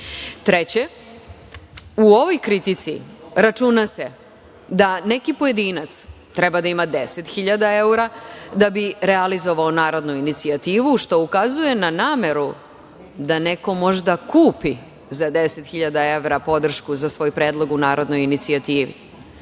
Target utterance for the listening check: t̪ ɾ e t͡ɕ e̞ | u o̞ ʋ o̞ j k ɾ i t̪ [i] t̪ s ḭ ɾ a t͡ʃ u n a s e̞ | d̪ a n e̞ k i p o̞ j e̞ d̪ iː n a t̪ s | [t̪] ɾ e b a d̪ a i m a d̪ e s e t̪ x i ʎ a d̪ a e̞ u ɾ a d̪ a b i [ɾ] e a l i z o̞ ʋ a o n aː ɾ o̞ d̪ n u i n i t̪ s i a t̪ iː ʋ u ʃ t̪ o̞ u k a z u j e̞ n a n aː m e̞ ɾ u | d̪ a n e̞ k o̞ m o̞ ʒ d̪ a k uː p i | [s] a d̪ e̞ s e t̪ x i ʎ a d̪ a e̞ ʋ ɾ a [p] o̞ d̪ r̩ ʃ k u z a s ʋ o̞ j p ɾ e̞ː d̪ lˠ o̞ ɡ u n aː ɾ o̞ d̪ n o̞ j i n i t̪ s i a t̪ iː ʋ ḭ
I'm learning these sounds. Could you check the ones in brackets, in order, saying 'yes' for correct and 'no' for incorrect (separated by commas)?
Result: yes, yes, yes, no, yes